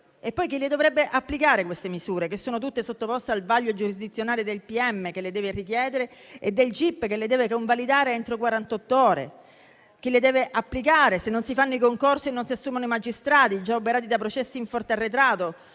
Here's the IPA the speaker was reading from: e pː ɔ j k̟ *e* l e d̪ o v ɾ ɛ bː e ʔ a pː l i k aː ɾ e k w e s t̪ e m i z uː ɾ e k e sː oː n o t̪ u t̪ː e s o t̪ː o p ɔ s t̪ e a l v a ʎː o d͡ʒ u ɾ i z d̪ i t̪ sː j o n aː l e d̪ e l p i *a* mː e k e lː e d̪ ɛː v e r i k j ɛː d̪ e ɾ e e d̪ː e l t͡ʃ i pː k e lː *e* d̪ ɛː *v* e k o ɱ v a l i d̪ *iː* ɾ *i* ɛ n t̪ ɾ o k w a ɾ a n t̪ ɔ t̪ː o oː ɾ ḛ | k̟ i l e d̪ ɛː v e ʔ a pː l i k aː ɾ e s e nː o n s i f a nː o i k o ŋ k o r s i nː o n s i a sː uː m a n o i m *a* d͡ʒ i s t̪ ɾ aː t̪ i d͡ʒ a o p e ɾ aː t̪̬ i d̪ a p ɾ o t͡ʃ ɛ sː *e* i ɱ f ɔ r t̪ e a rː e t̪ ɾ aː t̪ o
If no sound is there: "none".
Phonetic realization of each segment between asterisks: i, ɛ, e, v, aː, e, a, i

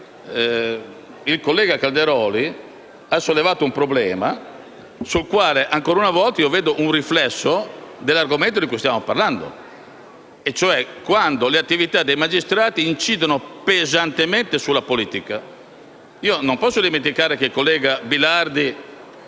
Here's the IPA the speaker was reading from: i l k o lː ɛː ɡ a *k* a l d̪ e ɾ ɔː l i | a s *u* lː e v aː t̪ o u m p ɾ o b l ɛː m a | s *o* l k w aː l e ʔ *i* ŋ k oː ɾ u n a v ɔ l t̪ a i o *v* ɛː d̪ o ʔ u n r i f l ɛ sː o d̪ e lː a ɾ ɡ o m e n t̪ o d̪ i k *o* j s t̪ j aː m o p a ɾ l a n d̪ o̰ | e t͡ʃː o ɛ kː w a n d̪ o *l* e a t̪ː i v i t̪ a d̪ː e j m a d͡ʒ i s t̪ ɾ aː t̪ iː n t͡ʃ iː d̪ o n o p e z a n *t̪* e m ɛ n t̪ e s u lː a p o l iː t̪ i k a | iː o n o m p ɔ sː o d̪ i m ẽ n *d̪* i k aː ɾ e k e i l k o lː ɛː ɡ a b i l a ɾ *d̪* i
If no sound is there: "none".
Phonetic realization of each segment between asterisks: k, o, u, a, v, u, l, t̪, t̪, d̪

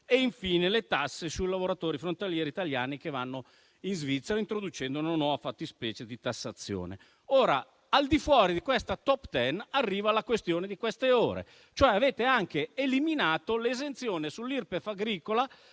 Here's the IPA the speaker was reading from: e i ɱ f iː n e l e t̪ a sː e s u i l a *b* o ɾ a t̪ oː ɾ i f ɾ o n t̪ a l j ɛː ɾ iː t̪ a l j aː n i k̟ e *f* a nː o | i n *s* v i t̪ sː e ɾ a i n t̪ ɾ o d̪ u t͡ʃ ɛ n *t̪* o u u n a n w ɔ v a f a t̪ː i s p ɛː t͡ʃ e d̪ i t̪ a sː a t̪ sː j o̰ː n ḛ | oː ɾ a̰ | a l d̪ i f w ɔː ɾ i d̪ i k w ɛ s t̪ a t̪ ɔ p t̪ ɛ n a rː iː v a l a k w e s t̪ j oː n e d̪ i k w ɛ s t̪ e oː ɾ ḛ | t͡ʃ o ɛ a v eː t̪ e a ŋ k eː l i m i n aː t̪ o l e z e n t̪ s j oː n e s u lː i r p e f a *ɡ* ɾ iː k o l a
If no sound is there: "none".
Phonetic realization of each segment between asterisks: v, v, z, d̪, ɡ

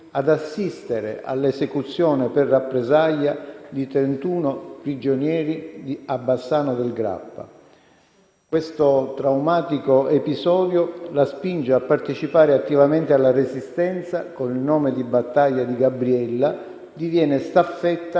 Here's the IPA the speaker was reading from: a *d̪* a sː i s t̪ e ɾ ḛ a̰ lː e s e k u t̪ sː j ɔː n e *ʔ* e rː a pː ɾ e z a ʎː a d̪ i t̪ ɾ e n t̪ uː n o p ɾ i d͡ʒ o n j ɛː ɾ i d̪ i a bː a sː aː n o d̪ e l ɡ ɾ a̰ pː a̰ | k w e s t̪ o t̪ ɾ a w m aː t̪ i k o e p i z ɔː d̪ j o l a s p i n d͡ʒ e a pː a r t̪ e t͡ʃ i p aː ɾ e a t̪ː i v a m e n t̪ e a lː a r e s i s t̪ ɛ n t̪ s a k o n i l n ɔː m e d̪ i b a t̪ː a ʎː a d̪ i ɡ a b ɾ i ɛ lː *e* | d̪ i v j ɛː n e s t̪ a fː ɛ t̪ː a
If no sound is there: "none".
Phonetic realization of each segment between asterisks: d̪, p, a

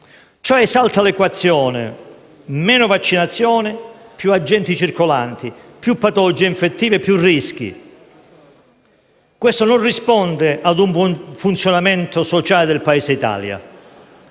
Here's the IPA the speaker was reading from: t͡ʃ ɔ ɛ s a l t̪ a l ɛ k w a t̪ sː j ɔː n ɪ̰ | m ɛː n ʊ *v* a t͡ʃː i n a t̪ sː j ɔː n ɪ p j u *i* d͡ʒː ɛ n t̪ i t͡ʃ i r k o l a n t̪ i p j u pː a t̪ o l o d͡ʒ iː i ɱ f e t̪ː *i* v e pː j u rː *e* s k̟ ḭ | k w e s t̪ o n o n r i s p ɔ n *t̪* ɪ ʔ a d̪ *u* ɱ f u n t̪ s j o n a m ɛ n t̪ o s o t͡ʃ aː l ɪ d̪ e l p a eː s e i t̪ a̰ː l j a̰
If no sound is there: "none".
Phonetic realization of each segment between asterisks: v, a, iː, i, d̪, u

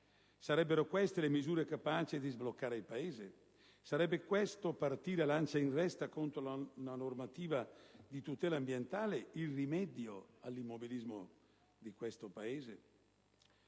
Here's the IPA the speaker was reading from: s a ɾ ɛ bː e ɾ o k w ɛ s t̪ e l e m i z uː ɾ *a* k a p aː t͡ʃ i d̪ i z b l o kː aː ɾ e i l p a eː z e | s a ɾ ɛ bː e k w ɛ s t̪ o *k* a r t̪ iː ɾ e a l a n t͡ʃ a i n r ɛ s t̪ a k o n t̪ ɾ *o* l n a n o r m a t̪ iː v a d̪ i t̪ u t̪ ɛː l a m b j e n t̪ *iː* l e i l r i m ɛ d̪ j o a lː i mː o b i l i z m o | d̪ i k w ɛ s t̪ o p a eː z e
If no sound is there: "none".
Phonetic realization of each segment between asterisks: e, p, o, aː

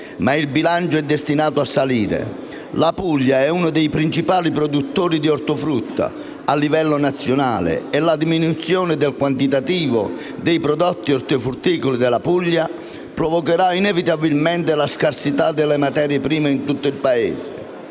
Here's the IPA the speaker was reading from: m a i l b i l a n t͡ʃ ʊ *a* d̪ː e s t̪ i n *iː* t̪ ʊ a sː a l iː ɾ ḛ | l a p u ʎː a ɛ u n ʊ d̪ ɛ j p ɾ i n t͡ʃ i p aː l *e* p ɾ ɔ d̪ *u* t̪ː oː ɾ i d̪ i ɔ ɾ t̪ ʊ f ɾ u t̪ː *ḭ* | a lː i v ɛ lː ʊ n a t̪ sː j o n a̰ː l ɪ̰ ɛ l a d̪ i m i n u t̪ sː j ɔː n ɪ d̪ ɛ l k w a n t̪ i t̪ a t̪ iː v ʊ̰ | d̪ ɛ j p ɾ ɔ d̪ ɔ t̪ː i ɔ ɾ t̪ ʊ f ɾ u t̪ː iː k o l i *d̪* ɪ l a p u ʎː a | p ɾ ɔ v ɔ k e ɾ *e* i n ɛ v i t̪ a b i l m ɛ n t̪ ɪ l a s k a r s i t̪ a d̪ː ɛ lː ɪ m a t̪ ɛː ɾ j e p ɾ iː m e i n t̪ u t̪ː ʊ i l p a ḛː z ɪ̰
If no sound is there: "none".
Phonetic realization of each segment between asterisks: ɛ, aː, i, u, a̰, d̪, a

